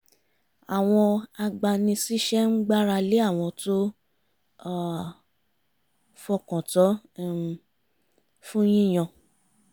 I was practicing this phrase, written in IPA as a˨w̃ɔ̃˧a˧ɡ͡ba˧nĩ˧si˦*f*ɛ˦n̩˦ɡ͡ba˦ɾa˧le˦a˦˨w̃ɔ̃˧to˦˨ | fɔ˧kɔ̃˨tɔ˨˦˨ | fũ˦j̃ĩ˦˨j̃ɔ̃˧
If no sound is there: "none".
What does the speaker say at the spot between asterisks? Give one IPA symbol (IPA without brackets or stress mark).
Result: ʃ